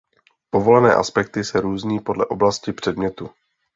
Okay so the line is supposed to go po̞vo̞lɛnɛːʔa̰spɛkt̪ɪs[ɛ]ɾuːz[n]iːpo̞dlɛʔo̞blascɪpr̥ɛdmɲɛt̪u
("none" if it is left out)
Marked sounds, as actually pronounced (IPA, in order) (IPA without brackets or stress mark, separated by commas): ɛ, ɲ